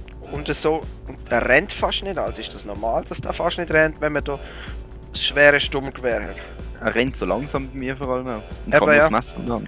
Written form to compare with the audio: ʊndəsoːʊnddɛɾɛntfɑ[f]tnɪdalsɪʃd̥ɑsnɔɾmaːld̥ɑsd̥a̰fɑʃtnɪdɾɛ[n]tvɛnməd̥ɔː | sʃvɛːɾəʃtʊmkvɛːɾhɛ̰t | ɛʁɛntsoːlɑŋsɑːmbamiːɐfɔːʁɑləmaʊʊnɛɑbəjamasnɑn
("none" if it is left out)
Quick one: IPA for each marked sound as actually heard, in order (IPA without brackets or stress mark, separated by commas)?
ʃ, n